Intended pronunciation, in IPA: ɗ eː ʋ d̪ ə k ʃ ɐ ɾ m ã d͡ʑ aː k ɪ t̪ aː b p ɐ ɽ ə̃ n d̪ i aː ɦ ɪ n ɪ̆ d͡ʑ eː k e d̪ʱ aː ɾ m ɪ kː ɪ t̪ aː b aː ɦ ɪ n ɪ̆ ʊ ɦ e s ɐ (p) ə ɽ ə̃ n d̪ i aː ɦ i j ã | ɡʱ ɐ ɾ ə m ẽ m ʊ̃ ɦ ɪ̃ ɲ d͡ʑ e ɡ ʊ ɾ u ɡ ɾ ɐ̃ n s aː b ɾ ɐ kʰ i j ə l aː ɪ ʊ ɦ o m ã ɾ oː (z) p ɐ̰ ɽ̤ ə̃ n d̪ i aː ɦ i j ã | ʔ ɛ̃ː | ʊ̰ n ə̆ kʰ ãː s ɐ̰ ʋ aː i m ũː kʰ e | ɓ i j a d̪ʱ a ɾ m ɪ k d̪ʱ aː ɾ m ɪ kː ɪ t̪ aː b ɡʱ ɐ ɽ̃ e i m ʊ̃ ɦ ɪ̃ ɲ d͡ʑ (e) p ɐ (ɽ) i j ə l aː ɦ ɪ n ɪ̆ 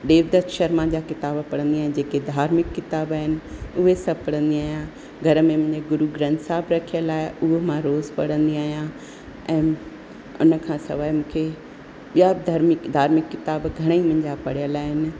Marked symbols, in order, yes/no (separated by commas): yes, yes, no, yes